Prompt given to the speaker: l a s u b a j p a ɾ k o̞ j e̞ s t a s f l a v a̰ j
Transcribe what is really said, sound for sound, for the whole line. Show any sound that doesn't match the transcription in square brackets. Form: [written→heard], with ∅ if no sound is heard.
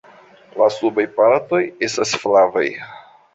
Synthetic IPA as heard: l a s u b a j p a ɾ [k→t] o̞ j e̞ s t a s f l a v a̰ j